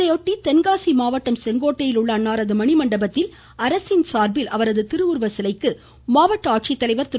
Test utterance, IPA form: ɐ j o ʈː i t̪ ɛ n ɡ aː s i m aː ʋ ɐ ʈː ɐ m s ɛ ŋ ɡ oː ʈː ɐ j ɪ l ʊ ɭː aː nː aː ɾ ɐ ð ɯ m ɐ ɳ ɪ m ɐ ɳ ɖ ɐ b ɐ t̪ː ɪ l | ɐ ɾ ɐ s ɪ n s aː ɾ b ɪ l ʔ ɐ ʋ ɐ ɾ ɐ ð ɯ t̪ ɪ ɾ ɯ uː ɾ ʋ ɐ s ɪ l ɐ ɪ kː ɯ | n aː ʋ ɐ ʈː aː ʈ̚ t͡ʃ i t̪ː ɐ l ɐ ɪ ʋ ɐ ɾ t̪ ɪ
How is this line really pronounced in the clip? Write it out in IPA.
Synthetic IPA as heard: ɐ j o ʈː i t̪ ɛ n ɡ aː s i m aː ʋ ɐ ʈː ɐ m s ɛ ŋ ɡ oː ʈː ɐ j ɪ l ʊ ɭː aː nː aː ɾ ɐ ð ɯ m ɐ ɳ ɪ m ɐ ɳ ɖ ɐ b ɐ t̪ː ɪ l | ɐ ɾ ɐ s ɪ n s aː ɾ b ɪ l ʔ ɐ ʋ ɐ ɾ ɐ ð ɯ t̪ ɪ ɾ ɯ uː ɾ ʋ ɐ s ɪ l ɐ ɪ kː ɯ | m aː ʋ ɐ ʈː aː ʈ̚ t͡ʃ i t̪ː ɐ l ɐ ɪ ʋ ɐ ɾ t̪ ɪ